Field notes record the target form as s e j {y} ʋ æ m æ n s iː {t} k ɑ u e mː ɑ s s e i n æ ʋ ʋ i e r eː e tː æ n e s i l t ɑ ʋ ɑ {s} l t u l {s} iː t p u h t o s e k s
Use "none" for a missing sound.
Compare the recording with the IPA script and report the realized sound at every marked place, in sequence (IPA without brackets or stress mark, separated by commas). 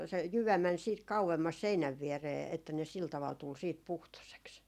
y, t, none, s